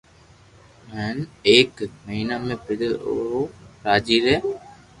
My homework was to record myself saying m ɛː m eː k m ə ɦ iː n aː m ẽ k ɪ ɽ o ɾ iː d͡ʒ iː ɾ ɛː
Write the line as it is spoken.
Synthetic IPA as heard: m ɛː n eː k m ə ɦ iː n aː m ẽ p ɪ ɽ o ɾ aː d͡ʒ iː ɾ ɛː